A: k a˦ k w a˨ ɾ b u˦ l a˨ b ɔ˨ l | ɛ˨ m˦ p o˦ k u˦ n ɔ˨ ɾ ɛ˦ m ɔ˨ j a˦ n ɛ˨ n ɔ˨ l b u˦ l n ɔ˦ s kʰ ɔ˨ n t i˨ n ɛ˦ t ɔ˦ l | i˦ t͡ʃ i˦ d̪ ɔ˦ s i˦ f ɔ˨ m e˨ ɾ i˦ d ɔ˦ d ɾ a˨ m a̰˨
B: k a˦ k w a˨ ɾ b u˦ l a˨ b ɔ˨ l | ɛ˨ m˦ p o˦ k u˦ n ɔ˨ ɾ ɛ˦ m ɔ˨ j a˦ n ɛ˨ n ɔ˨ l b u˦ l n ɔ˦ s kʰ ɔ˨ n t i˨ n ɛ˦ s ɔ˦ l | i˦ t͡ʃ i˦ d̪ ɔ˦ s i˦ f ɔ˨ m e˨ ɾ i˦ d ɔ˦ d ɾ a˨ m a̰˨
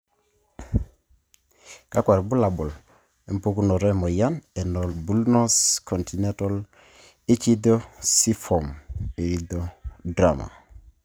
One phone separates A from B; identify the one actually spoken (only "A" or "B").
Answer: A